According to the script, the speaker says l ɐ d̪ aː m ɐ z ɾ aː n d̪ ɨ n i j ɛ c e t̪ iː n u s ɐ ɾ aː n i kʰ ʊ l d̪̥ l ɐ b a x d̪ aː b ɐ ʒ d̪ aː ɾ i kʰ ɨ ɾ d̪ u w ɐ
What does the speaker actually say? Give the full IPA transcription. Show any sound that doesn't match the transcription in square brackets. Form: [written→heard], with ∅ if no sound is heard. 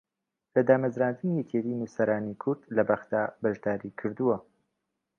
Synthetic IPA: l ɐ d̪ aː m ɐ z ɾ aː n d̪ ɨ n i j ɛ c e t̪ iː n u s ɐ ɾ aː n i kʰ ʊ [l→ɾ] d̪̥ l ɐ b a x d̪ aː b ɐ ʒ d̪ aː ɾ i kʰ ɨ ɾ d̪ u w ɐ

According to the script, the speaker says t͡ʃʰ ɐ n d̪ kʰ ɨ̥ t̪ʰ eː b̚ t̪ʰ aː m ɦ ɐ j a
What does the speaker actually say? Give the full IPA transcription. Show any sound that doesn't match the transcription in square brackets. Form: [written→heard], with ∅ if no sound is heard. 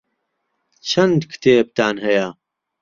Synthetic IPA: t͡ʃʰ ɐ n d̪ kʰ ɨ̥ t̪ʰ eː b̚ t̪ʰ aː [m→n] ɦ ɐ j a

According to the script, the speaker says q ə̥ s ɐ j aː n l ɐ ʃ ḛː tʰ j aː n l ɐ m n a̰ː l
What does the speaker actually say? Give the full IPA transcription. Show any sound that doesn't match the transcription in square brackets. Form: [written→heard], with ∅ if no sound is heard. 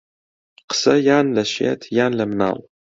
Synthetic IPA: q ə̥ s ɐ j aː n l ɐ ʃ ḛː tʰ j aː n l ɐ m n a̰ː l

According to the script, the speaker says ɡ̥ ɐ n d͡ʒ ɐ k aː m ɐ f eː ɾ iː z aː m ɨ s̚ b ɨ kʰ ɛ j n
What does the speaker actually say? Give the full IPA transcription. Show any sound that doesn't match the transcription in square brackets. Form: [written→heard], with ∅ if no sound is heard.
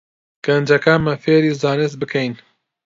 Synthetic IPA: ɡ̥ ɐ n d͡ʒ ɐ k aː m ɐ f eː ɾ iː z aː [m→n] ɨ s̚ b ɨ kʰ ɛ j n

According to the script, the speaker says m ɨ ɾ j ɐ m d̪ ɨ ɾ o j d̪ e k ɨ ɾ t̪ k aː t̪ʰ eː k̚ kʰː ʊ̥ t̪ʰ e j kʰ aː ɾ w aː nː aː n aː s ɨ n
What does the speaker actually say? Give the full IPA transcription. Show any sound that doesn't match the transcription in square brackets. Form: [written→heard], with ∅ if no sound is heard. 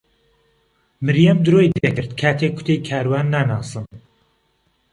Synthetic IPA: m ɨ ɾ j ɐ m d̪ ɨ ɾ o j d̪ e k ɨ ɾ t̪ [k→kʰ] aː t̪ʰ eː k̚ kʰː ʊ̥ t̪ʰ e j kʰ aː ɾ w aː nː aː n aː s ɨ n

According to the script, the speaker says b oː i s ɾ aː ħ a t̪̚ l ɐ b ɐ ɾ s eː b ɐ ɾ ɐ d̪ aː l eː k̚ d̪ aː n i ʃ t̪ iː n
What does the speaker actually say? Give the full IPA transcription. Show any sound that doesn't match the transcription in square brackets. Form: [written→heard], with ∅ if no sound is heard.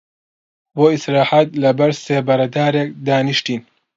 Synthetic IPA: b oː i s ɾ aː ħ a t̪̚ l ɐ b ɐ ɾ s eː b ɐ ɾ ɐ d̪ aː [l→ɾ] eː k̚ d̪ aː n i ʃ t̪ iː n

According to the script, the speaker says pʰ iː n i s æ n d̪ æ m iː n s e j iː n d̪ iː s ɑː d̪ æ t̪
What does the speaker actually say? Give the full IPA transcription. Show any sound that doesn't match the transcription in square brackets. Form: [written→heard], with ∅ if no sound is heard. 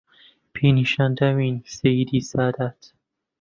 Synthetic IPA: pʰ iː n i [s→ʃ] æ n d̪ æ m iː n s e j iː [n→∅] d̪ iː s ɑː d̪ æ t̪

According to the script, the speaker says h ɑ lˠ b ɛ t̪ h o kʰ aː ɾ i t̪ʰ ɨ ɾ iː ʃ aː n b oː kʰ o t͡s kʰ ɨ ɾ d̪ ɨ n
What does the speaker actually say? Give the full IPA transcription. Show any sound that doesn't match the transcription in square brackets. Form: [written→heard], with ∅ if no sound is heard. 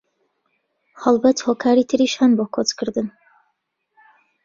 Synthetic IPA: h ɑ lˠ b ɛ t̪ h o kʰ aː ɾ i t̪ʰ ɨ ɾ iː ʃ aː n b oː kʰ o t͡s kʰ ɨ ɾ d̪ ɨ n

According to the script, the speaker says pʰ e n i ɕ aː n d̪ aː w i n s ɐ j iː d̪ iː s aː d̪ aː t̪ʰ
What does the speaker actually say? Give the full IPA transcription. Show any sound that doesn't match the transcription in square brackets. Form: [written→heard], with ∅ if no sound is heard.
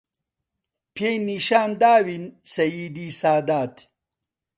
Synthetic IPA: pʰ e n i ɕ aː n d̪ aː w i n s ɐ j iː d̪ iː s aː d̪ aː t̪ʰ

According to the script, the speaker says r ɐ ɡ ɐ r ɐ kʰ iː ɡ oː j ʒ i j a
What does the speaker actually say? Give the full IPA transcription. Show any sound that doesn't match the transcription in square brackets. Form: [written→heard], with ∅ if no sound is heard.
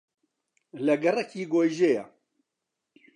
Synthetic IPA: [r→l] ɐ ɡ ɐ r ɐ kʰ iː ɡ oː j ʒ [i→e] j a

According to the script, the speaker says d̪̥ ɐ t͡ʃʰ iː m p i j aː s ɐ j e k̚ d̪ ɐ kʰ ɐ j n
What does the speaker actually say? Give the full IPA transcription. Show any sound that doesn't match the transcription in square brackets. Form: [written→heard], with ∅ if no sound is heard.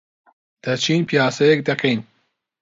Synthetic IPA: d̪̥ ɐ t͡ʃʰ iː [m→n] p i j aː s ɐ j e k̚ d̪ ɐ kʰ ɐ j n

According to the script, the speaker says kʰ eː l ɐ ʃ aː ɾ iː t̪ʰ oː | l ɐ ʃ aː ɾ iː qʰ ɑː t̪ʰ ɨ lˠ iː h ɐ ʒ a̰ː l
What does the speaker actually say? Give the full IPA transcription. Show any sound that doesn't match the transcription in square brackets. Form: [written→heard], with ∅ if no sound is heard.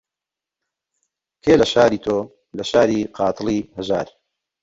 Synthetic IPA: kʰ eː l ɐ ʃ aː ɾ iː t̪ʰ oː | l ɐ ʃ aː ɾ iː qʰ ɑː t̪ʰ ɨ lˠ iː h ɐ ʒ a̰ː [l→ɾ]

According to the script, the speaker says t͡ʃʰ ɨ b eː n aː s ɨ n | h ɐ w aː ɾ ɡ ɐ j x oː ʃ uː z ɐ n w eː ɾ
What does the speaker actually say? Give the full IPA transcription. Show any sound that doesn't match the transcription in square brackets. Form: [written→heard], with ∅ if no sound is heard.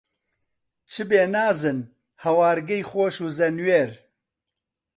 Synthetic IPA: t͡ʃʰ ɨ b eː n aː [s→z] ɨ n | h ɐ w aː ɾ ɡ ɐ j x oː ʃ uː z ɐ n w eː ɾ

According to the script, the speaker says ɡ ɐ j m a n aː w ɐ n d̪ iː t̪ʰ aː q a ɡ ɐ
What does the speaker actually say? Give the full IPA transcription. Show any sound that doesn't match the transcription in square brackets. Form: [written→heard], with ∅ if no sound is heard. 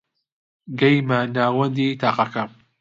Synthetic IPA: ɡ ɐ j m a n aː w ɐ n d̪ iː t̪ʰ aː q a [ɡ→k] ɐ

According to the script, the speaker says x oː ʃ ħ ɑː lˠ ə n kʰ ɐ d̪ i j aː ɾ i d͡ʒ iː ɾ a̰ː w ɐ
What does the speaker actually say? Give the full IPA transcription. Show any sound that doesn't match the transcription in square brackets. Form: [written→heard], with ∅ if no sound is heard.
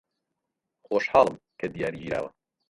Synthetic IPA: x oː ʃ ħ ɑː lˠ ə [n→m] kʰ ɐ d̪ i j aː ɾ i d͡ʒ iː ɾ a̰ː w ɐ

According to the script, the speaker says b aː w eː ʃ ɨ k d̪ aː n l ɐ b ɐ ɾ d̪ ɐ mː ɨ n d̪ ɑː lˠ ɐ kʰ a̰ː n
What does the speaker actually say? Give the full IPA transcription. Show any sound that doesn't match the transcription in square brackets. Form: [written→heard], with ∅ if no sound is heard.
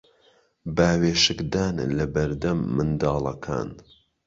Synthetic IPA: b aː w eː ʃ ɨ k d̪ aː n l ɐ b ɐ ɾ d̪ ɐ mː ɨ n d̪ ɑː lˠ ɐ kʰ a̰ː n

